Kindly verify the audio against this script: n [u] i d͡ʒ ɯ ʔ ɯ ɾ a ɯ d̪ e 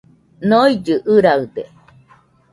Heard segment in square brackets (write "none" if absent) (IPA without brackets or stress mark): o